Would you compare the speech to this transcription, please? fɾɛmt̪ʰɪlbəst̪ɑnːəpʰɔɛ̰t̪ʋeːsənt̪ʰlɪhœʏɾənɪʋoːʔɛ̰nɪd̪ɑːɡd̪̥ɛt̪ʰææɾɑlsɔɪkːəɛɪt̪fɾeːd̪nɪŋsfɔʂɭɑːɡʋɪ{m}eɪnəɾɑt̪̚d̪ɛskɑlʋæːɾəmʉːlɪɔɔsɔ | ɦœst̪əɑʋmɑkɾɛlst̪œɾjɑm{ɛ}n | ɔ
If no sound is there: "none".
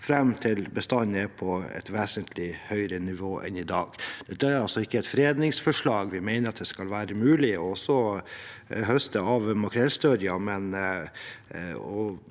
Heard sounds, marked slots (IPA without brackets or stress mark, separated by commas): m, ɛ